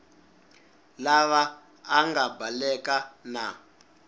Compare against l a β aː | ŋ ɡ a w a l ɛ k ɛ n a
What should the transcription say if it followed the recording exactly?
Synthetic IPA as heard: l a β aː | ŋ ɡ a b a l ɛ k a n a